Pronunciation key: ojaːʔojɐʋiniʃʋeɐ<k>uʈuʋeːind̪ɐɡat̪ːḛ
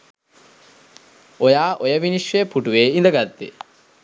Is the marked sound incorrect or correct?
incorrect: p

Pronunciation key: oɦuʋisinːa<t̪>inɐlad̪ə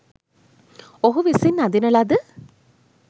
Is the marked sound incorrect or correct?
incorrect: d̪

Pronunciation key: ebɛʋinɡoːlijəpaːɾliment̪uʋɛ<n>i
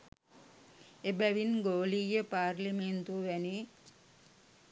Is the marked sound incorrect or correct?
correct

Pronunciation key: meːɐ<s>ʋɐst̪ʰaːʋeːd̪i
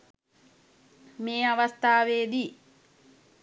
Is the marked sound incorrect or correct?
incorrect: none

